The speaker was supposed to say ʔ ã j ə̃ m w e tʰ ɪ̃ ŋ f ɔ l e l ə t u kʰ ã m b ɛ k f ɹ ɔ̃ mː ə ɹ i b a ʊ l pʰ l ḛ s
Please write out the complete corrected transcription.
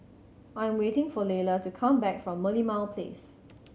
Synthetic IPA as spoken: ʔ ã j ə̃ m w e t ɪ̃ ŋ f ɔ l e l ə t u kʰ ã m b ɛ k f ɹ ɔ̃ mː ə l i m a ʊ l pʰ l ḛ s